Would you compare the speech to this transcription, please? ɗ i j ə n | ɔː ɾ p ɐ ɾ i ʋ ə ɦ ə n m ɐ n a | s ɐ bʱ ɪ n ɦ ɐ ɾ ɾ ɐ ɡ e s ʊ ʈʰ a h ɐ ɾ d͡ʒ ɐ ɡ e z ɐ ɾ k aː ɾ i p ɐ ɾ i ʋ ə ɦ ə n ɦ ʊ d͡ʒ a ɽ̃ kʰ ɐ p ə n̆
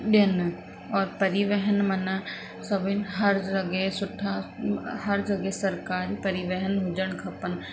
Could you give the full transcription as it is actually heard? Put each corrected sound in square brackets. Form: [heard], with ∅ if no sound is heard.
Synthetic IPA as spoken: ɗ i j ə n | ɔː ɾ p ɐ ɾ i ʋ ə ɦ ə n m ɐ n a | s ɐ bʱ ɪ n ɦ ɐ ɾ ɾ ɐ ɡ e s ʊ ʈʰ a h ɐ ɾ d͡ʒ ɐ ɡ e [s] ɐ ɾ k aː ɾ i p ɐ ɾ i ʋ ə ɦ ə n ɦ ʊ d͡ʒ [ə] ɽ̃ kʰ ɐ p ə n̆